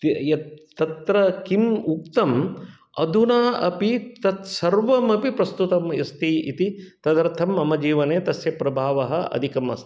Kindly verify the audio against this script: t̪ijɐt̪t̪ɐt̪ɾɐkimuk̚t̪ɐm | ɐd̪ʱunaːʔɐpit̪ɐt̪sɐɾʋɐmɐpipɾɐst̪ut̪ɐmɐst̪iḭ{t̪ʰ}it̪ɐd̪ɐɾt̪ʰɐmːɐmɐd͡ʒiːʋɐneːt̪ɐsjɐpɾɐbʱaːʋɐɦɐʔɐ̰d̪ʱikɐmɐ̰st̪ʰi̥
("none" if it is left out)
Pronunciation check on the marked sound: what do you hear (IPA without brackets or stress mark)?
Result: t̪